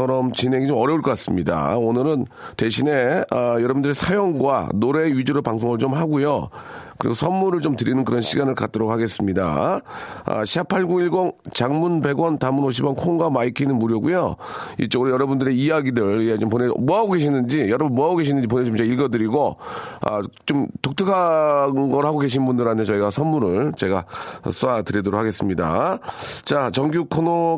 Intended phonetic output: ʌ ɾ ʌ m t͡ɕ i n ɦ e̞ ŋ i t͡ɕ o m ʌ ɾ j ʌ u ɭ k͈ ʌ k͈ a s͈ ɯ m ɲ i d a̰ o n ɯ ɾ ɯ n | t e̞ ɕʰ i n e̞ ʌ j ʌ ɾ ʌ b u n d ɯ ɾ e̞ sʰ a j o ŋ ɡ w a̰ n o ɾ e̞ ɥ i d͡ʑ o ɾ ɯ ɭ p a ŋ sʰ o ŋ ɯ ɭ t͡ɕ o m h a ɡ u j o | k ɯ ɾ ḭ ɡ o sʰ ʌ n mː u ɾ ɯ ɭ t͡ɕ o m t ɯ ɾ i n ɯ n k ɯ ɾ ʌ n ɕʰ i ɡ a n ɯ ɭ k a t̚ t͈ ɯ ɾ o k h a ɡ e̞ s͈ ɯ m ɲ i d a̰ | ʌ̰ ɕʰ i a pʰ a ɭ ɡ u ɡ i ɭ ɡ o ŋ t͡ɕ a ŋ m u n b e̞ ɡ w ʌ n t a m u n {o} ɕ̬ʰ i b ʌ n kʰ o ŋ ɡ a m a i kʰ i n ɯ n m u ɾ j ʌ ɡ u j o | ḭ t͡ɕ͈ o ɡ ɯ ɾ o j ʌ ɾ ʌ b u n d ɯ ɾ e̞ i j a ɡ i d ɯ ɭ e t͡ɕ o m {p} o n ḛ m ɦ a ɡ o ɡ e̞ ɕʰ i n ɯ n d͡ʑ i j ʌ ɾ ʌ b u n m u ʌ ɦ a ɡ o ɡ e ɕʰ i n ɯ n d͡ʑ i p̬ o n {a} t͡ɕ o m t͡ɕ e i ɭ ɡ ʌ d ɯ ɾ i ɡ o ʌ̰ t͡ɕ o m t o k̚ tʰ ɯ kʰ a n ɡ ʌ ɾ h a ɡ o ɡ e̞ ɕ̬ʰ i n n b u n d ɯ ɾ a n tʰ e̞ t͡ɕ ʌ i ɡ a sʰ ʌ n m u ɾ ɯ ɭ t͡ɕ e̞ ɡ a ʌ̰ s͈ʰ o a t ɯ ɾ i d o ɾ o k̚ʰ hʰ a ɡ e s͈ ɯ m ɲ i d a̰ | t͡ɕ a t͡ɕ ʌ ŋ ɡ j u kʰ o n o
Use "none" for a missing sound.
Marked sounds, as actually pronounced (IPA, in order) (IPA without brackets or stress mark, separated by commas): o, p, e